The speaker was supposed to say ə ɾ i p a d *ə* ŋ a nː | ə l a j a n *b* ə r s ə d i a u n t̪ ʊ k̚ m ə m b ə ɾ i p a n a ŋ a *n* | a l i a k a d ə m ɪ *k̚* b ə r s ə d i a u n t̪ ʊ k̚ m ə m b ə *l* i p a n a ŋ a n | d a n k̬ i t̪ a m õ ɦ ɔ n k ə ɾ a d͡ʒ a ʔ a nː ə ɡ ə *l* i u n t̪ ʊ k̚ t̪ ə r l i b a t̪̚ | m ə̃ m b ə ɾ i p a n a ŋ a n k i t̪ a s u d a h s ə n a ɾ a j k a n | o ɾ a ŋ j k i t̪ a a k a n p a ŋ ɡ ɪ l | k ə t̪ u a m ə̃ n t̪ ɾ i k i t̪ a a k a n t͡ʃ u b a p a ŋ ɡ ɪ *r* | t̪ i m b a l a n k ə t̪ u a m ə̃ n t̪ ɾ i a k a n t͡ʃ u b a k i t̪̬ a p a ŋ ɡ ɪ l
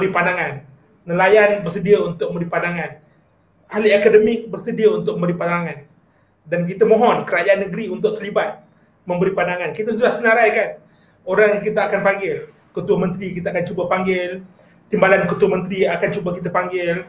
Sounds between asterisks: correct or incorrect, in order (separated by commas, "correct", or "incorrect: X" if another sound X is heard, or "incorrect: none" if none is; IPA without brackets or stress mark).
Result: incorrect: a, correct, correct, correct, incorrect: ɾ, incorrect: ɾ, incorrect: l